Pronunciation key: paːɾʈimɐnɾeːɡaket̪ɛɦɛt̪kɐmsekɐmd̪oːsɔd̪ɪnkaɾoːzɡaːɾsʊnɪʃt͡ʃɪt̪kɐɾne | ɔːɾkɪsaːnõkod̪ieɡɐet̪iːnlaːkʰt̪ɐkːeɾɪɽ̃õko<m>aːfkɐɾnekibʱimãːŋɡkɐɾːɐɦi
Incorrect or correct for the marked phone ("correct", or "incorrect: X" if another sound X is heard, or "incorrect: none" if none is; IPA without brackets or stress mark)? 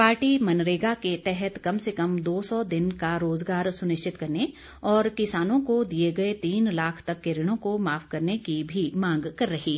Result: correct